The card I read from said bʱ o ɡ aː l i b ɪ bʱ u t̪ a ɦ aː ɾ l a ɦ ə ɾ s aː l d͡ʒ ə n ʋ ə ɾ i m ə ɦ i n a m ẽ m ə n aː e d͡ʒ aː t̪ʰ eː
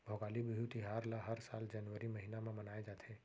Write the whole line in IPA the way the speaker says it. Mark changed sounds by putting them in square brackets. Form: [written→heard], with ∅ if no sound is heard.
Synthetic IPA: bʱ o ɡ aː l i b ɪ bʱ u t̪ [a→i] ɦ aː ɾ l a ɦ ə ɾ s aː l d͡ʒ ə n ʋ ə ɾ i m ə ɦ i n a m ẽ m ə n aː e d͡ʒ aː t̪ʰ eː